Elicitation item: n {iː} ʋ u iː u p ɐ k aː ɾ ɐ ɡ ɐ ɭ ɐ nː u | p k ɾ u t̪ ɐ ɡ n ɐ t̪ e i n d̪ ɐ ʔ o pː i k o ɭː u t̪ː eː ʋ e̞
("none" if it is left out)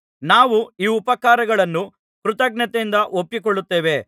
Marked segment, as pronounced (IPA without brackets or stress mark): aː